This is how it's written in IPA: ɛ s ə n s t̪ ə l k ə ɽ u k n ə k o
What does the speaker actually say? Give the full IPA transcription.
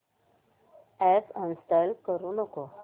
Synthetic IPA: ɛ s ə n s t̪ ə l k ə ɾ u n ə k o